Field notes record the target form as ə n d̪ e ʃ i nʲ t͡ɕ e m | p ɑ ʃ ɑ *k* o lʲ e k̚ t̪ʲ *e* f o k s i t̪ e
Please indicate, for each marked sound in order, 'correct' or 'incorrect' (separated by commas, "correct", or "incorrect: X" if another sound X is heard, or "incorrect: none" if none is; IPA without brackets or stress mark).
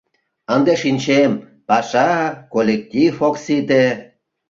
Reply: correct, incorrect: i